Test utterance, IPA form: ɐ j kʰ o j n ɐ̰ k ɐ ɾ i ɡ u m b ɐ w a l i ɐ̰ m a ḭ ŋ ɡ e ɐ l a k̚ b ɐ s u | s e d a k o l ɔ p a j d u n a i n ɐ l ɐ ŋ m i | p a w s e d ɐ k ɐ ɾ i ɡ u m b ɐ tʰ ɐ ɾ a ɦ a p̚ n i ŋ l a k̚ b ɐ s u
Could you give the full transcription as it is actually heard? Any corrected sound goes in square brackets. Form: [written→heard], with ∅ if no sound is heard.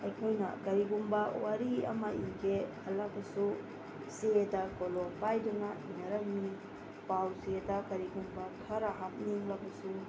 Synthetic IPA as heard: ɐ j kʰ o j n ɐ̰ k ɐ ɾ i ɡ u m b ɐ w a [l→ɾ] i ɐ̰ m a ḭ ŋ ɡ e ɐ l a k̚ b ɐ s u | s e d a k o l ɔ p a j d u n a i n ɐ [l→ɾ] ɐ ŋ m i | p a w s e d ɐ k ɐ ɾ i ɡ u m b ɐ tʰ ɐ ɾ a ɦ a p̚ n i ŋ l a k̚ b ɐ s u

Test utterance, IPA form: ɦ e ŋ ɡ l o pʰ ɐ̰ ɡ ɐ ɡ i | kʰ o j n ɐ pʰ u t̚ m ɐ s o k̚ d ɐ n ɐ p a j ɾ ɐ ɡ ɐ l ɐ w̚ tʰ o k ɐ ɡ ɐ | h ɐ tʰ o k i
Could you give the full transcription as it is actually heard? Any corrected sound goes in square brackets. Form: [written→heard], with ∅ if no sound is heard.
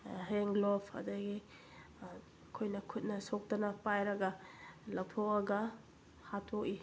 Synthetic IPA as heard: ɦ e ŋ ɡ l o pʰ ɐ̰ [ɡ→d] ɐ ɡ i | kʰ o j n ɐ [pʰ→kʰ] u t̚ [m→n] ɐ s o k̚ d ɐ n ɐ p a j ɾ ɐ ɡ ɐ l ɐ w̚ tʰ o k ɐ ɡ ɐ | h [ɐ→a] tʰ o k i

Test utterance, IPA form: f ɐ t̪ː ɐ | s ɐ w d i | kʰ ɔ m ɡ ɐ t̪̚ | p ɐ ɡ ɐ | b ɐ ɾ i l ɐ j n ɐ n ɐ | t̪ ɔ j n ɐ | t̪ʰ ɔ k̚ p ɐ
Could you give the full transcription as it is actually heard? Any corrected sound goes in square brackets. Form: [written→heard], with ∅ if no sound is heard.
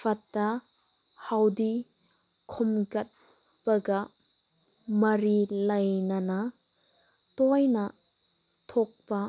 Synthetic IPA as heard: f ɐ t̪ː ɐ | [s→h] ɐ w d i | kʰ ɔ m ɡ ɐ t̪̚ | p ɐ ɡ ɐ | [b→m] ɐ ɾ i l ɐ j n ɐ n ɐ | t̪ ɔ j n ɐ | t̪ʰ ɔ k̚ p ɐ

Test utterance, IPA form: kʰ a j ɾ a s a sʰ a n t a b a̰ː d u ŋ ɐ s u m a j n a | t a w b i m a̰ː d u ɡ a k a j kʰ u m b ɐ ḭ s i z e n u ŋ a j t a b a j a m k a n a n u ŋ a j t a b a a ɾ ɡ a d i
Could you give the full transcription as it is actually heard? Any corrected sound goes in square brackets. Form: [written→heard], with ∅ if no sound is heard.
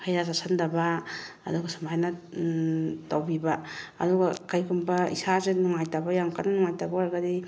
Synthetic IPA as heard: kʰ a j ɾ a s a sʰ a n [t→d] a b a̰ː d u [ŋ→ɡ] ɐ s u m a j n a | t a w b i [m→b] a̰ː d u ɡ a k a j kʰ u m b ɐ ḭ s [i→a] z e n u ŋ a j t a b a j a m k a n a n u ŋ a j t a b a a ɾ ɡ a d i

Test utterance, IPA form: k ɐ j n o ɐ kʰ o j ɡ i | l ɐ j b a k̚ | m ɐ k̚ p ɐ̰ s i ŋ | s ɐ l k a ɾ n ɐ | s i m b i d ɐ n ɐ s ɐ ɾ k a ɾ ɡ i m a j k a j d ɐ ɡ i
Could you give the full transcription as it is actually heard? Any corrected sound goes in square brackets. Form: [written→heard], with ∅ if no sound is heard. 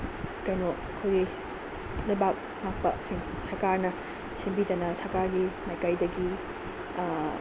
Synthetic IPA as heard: k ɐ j n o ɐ kʰ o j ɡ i | l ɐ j b a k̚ | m [ɐ→a] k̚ p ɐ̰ s i ŋ | s ɐ [l→ɾ] k a ɾ n ɐ | s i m b i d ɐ n ɐ s ɐ ɾ k a ɾ ɡ i m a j k a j d ɐ ɡ i

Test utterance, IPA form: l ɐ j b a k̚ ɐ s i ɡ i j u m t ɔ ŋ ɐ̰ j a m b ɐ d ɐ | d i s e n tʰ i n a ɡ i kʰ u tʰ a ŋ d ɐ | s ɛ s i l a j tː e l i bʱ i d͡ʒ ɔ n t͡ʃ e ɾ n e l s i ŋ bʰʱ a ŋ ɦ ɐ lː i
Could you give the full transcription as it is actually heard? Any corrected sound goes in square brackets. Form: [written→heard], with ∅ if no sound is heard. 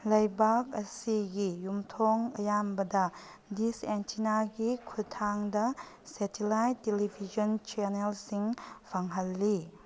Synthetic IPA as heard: l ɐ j b a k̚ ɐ s i ɡ i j u m [t→tʰ] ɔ ŋ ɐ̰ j a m b ɐ d ɐ | d i s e n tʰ i n a ɡ i kʰ u tʰ a ŋ d ɐ | s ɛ [s→t] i l a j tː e l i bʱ i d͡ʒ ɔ n t͡ʃ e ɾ n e l s i ŋ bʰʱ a ŋ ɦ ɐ lː i

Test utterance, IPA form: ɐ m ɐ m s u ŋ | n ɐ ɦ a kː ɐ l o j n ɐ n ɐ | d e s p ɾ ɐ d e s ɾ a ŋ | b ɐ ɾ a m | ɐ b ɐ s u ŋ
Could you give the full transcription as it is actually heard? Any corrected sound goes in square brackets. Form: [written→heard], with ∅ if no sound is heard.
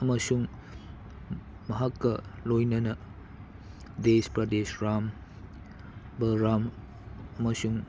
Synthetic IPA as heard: ɐ m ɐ [m→∅] s u ŋ | [n→m] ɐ ɦ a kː ɐ l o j n ɐ n ɐ | d e s p ɾ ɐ d e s ɾ a [ŋ→m] | b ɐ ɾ a m | ɐ [b→m] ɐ s u ŋ

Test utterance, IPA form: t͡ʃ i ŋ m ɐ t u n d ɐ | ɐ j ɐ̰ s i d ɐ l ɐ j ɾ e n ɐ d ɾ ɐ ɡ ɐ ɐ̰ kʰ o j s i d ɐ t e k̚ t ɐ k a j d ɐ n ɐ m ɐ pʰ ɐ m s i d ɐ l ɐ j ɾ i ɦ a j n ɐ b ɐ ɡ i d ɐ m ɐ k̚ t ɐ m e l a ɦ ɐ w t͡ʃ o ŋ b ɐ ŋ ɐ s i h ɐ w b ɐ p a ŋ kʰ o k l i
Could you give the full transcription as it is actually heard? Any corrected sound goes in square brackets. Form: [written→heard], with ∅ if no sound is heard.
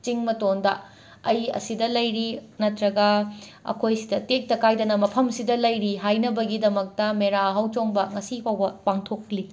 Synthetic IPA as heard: t͡ʃ i ŋ m ɐ t [u→o] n d ɐ | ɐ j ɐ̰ s i d ɐ l ɐ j ɾ [e→i] n ɐ [d→t] ɾ ɐ ɡ ɐ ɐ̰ kʰ o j s i d ɐ t e k̚ t ɐ k a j d ɐ n ɐ m ɐ pʰ ɐ m s i d ɐ l ɐ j ɾ i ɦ a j n ɐ b ɐ ɡ i d ɐ m ɐ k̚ t ɐ m e [l→ɾ] a ɦ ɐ w t͡ʃ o ŋ b ɐ ŋ ɐ s i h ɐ w b ɐ p a ŋ [kʰ→tʰ] o k l i

